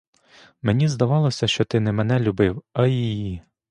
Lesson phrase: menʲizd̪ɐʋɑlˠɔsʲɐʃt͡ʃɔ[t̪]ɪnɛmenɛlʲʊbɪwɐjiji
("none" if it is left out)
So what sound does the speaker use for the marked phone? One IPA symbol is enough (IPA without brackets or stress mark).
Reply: t̪